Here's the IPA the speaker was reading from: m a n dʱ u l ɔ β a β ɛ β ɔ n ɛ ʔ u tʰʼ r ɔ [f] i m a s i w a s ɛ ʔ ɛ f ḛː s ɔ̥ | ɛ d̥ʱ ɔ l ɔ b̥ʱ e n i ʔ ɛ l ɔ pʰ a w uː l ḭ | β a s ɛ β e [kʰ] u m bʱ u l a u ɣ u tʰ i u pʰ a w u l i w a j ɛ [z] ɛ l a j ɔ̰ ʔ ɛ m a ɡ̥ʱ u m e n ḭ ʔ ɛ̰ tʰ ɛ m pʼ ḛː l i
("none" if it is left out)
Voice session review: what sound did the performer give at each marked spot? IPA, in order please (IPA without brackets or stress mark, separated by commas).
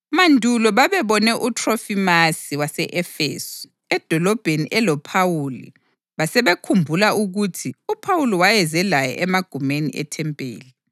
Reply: f, kʰ, z